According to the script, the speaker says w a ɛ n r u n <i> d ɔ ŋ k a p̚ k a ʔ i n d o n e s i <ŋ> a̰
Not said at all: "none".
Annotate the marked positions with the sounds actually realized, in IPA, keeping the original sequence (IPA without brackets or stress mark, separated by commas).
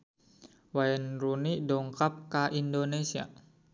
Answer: i, none